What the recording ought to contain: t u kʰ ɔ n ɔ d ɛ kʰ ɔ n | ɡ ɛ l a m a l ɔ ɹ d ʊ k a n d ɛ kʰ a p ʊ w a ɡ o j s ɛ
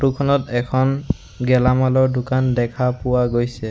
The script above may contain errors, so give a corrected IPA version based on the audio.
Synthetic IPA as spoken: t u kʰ ɔ n ɔ t ɛ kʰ ɔ n | ɡ ɛ l a m a l ɔ ɹ d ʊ k a n d ɛ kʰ a p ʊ w a ɡ o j s ɛ

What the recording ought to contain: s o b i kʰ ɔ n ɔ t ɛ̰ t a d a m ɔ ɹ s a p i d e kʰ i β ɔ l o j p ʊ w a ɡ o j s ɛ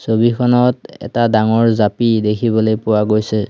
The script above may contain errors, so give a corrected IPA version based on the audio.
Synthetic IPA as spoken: s o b i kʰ ɔ n ɔ t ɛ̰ t a d a ŋ ɔ ɹ z a p i d e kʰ i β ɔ l o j p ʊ w a ɡ o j s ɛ

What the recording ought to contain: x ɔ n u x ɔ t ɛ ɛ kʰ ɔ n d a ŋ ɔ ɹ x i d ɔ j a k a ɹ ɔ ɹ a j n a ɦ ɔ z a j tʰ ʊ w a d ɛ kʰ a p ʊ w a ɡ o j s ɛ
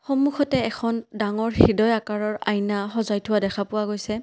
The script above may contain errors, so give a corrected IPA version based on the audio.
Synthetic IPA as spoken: x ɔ m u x ɔ t ɛ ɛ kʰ ɔ n d a ŋ ɔ ɹ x i d ɔ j a k a ɹ ɔ ɹ a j n a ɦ ɔ z a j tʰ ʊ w a d ɛ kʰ a p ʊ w a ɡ o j s ɛ

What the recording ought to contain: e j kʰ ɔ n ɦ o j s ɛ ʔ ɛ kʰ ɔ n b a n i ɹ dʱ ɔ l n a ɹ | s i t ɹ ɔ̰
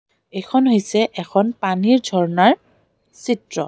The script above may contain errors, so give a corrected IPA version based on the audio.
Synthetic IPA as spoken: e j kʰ ɔ n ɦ o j s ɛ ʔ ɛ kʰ ɔ n p a n i ɹ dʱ ɔ ɹ n a ɹ | s i t ɹ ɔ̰

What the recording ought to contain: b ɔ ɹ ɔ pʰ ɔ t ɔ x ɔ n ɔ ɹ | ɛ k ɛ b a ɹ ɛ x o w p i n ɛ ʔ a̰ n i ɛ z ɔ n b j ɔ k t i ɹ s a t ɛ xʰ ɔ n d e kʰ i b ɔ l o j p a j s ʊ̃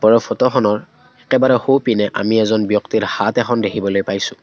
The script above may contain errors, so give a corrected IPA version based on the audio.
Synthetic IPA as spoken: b ɔ ɹ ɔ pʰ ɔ t ɔ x ɔ n ɔ ɹ | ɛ k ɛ b a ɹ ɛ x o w p i n ɛ ʔ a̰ m i ɛ z ɔ n b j ɔ k t i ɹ h a t ɛ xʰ ɔ n d e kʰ i b ɔ l o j p a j s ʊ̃

